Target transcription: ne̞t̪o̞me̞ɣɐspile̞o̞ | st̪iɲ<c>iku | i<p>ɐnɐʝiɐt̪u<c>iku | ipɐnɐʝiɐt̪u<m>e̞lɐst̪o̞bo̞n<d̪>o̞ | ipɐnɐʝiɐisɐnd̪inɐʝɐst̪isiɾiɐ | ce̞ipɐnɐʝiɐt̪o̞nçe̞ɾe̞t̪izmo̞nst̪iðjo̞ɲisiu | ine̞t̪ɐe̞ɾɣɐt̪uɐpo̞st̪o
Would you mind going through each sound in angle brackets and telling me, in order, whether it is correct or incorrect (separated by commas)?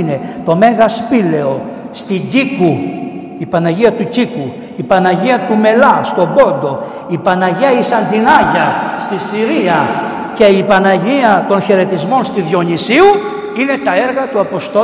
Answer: incorrect, correct, correct, correct, correct